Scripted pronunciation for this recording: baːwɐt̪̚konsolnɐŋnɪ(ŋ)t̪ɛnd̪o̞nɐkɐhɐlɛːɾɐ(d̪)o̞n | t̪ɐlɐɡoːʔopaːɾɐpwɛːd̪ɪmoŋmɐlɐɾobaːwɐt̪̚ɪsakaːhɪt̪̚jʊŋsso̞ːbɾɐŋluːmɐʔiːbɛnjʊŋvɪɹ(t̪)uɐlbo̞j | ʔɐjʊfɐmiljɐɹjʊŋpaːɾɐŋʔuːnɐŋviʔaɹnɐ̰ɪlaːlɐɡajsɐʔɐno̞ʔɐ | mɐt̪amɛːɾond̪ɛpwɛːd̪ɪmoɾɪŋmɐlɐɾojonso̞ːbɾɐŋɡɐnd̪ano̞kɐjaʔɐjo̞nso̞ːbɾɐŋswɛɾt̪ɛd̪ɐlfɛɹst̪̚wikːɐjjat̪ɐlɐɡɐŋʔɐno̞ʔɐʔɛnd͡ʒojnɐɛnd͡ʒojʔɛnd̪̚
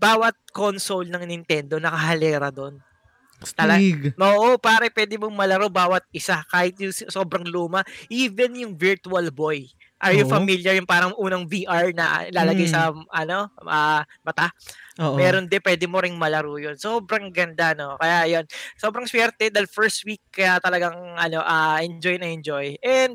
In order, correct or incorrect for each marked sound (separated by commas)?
incorrect, correct, correct